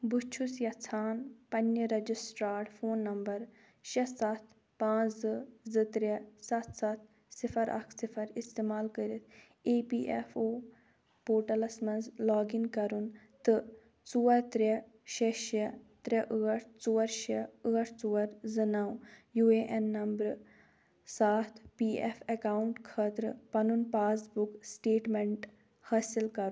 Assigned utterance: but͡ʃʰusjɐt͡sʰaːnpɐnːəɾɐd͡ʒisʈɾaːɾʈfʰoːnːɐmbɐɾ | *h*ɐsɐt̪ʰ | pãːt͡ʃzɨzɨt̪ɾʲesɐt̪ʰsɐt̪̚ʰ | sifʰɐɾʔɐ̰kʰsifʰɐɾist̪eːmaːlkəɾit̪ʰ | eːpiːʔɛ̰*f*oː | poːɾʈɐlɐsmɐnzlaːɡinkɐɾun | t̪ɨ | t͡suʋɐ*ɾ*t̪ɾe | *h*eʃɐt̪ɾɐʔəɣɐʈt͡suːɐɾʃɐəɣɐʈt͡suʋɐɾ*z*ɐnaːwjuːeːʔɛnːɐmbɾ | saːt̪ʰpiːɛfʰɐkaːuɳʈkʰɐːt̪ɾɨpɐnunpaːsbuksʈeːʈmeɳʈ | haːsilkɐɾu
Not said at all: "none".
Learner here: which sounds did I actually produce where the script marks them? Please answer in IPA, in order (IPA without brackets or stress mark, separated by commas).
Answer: ʃ, f, ɾ, ʃ, z